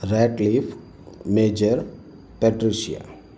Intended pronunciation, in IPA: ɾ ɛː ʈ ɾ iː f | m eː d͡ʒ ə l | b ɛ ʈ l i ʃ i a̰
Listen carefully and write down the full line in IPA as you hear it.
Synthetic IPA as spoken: ɾ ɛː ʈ l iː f | m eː d͡ʒ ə ɾ | p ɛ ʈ ɾ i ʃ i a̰